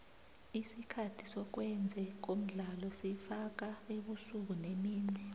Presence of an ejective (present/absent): absent